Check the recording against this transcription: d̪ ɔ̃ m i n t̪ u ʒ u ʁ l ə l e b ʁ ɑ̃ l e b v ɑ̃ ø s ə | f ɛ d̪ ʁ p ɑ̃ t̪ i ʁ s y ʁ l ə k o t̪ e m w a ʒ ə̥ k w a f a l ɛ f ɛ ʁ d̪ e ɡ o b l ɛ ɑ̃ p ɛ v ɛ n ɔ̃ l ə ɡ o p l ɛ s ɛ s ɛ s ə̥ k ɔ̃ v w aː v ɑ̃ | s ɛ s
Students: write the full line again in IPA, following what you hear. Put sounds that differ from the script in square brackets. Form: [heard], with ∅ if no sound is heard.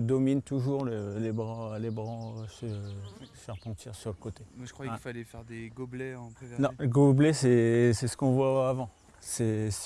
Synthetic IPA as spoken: d̪ [ɔ] m i n t̪ u ʒ u ʁ l ə l e b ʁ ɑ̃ l e b [ʁ] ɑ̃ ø s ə | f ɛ [∅] ʁ p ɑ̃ t̪ i ʁ s y ʁ l ə k o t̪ e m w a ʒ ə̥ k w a f a l ɛ f ɛ ʁ d̪ e ɡ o b l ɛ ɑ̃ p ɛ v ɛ n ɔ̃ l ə ɡ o [b] l ɛ s ɛ s ɛ s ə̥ k ɔ̃ v w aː v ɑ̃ | s ɛ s